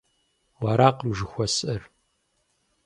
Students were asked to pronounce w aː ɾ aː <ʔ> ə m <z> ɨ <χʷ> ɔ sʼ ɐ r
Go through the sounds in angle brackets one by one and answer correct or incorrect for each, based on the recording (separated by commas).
incorrect, incorrect, incorrect